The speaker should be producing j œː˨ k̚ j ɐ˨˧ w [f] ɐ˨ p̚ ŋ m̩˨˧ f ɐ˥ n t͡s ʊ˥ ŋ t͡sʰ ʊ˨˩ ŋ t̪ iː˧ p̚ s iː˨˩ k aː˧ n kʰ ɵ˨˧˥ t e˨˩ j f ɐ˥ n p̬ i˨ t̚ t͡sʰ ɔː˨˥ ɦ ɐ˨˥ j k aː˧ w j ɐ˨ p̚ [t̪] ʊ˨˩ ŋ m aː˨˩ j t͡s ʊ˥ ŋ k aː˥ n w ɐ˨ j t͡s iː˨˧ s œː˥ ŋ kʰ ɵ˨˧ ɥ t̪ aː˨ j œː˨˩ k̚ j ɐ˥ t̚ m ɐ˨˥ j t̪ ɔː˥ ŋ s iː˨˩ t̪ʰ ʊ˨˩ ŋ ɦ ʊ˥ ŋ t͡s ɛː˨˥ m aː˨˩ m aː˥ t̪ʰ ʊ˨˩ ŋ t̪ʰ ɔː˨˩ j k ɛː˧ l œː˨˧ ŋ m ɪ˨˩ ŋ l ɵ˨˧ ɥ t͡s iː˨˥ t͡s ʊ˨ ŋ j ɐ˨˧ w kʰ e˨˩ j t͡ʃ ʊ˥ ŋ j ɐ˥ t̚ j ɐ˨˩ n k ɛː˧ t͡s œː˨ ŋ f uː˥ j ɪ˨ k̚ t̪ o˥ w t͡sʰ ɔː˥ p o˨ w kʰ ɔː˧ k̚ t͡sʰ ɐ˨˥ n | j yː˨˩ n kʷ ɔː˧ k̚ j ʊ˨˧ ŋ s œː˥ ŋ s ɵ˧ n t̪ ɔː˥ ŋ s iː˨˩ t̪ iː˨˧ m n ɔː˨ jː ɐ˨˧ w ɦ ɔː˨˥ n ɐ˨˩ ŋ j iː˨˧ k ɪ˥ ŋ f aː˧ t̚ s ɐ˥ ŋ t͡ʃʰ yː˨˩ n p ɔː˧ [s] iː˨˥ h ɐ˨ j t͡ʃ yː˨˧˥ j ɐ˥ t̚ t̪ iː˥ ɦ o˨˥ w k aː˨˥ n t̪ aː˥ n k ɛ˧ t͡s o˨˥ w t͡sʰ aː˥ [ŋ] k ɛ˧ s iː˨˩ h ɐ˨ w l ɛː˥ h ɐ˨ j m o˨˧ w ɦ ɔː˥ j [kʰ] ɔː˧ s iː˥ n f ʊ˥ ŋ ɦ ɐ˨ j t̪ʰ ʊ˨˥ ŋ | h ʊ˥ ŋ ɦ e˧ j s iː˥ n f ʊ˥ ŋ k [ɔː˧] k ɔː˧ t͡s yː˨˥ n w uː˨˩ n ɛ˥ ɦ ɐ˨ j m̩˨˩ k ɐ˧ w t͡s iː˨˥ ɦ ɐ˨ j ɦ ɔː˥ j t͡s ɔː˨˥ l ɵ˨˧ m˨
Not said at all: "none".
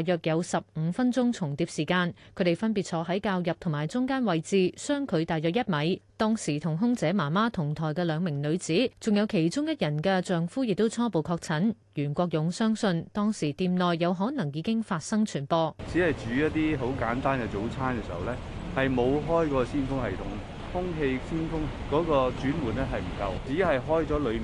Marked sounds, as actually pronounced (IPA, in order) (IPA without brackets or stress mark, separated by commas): s, t̪ʰ, t͡s, n, k, ɔː˨˥